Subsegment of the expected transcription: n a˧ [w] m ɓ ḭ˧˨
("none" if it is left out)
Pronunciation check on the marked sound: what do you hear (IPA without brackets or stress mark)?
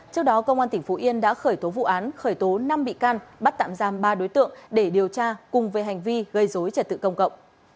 none